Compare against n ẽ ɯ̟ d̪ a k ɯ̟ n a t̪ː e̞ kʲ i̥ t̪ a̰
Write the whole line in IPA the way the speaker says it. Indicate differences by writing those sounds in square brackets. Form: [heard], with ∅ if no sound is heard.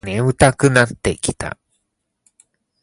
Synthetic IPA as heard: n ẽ ɯ̟ [t̪] a k ɯ̟ n a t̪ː e̞ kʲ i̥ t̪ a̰